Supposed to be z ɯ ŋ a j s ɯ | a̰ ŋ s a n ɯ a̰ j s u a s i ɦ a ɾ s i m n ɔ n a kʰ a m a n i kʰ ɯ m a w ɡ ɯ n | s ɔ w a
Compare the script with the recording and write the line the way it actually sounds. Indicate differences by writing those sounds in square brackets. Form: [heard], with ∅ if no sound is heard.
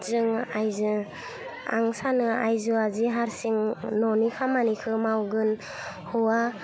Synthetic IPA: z ɯ ŋ a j [z] ɯ | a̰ ŋ s a n ɯ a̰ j [z] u a [z] i ɦ a ɾ s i [ŋ] n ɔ n [i] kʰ a m a n i kʰ ɯ m a w ɡ ɯ n | [h] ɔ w a